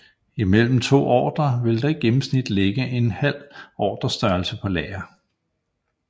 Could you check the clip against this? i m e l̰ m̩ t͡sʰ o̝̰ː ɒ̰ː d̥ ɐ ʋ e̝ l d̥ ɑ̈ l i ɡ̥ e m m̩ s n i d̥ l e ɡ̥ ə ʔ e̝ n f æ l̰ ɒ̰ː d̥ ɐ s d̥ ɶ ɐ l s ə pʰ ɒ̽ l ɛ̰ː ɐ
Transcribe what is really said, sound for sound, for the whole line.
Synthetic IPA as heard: i m e l̰ m̩ t͡sʰ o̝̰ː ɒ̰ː d̥ ɐ ʋ e̝ l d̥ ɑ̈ i ɡ̥ e m m̩ s n i d̥ l e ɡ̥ ə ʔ e̝ n h æ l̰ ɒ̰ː d̥ ɐ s d̥ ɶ ɐ l s ə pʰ ɒ̽ l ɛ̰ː ɐ